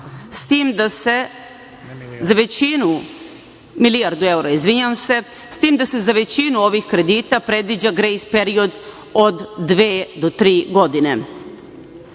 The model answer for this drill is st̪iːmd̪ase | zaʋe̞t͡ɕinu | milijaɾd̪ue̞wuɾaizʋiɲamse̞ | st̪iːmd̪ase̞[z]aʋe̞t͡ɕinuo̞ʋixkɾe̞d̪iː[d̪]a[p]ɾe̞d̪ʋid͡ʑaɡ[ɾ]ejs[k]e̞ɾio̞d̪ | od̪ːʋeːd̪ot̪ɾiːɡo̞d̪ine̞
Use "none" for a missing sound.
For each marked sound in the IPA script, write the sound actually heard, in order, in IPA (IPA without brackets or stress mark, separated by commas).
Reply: z, t̪, p, ɾ, p